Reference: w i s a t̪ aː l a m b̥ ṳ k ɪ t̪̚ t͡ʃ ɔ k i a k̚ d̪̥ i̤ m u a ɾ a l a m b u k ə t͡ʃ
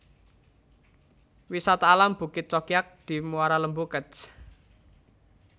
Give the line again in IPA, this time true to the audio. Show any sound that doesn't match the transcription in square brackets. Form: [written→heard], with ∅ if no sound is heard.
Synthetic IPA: w i s a t̪ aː l a m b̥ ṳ k ɪ t̪̚ t͡ʃ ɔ k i a k̚ d̪̥ i̤ m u a ɾ a l [a→ə] m b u k ə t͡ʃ